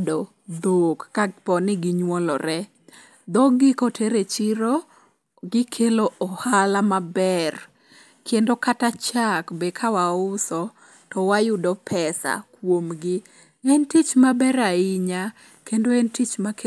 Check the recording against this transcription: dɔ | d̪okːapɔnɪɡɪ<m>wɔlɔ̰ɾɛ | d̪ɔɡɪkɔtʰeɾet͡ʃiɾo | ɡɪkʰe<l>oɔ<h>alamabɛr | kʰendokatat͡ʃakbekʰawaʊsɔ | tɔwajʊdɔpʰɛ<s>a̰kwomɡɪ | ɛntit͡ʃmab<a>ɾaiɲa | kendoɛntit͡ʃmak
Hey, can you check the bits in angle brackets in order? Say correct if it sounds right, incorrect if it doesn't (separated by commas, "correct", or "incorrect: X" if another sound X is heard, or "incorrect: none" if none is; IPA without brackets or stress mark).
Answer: incorrect: ɲ, correct, correct, correct, incorrect: ɛ